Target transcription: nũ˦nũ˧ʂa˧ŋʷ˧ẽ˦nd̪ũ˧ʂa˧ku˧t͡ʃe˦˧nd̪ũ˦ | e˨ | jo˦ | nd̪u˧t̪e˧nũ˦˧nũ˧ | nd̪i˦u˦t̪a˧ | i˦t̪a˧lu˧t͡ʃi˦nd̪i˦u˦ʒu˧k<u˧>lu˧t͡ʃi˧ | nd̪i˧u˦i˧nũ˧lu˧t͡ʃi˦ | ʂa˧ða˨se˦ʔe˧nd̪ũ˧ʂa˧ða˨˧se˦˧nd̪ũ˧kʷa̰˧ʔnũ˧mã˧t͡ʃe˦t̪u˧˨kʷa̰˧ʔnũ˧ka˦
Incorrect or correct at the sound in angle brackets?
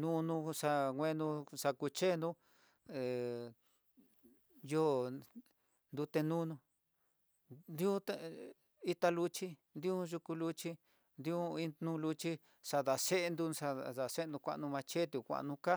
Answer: correct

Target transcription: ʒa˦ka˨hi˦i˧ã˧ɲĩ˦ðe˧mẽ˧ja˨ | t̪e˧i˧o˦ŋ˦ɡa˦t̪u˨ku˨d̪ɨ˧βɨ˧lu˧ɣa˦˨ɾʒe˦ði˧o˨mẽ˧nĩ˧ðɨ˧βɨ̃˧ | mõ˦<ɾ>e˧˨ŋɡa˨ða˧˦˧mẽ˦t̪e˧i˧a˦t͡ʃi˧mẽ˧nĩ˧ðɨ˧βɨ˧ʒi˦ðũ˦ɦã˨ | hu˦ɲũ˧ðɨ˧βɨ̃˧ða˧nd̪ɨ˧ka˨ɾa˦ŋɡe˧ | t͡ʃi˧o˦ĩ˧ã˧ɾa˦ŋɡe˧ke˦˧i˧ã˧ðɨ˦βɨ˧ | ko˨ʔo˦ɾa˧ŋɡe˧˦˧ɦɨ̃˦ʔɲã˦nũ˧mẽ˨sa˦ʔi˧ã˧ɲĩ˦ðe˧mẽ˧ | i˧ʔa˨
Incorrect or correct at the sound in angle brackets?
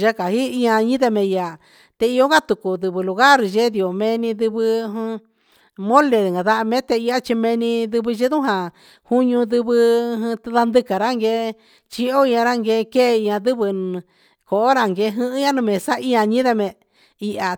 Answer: incorrect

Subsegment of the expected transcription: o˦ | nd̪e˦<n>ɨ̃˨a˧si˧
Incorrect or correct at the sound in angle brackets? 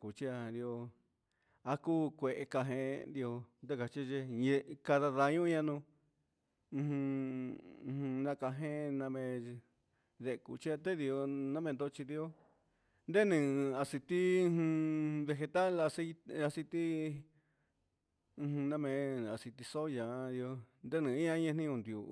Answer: correct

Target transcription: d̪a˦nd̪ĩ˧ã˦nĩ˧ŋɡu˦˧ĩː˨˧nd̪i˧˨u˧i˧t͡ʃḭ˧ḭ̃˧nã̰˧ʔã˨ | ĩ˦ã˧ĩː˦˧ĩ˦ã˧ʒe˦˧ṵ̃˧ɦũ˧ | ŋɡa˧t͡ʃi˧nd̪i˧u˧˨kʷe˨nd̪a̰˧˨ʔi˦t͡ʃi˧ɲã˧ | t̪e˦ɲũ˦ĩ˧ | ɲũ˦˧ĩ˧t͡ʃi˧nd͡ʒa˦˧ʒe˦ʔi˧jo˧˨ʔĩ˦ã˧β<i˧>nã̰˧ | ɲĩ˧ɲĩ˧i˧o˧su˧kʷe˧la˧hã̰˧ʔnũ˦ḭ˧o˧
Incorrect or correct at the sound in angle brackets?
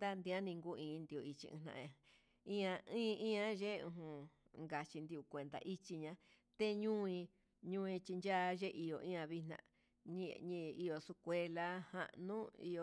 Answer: correct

